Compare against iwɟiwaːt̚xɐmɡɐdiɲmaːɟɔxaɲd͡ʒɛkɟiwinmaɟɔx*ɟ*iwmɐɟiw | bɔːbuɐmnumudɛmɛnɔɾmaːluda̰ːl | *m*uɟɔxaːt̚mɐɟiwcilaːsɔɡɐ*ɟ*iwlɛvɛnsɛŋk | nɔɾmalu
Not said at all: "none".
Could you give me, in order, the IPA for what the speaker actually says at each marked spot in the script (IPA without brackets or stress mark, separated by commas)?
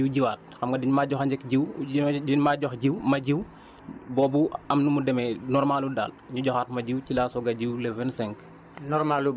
ɟ, ɲ, ɟ